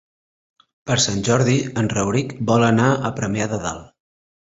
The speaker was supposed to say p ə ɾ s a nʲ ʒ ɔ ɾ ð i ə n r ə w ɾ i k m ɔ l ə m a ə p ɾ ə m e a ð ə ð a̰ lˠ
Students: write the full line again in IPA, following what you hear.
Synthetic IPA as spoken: p ə ɾ s a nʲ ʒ ɔ ɾ ð i ə n r ə w ɾ i k b ɔ l ə n a ə p ɾ ə m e a ð ə ð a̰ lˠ